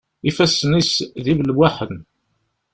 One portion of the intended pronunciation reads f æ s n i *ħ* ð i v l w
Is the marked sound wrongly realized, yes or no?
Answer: yes